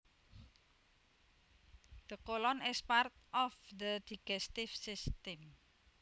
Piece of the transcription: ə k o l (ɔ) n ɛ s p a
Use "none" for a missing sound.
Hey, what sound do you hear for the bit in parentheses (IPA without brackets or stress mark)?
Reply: ɔ